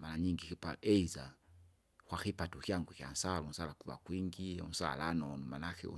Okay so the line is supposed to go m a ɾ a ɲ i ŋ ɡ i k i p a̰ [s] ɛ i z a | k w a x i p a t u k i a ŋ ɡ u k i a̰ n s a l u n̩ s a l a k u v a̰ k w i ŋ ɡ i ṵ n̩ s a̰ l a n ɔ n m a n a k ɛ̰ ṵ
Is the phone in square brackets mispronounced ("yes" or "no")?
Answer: yes